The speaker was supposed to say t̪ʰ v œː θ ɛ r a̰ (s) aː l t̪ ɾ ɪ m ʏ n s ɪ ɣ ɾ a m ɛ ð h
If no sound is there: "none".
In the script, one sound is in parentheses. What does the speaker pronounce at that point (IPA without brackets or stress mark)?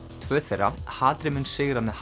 h